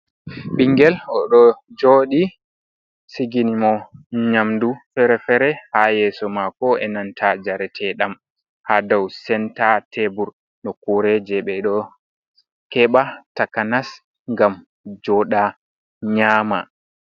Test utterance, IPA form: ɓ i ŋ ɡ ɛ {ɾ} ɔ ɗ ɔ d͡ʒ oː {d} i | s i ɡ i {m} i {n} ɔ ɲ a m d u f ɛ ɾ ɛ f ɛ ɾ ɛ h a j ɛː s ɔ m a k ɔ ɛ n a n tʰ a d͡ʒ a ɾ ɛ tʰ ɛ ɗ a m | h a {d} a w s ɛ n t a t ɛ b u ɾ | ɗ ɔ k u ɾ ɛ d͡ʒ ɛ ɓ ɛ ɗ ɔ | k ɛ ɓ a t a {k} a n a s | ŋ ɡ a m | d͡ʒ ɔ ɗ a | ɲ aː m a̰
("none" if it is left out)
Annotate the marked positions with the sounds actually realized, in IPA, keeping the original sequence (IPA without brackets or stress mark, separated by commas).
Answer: l, ɗ, n, m, d, k